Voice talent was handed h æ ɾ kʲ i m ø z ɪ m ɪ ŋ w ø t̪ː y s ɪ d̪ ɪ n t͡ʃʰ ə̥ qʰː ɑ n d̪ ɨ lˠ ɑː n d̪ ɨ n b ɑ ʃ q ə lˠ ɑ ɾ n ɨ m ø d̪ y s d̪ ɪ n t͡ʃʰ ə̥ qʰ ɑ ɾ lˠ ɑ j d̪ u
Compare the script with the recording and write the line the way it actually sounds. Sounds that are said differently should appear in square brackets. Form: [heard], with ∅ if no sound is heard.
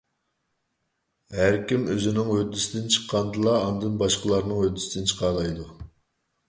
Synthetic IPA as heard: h æ ɾ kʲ i m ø z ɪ [n] ɪ ŋ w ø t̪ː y s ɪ d̪ ɪ n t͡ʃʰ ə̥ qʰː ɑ n d̪ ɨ lˠ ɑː n d̪ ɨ n b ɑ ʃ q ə lˠ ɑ ɾ n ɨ [ŋ] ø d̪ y s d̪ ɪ n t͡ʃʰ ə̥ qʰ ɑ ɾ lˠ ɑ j d̪ u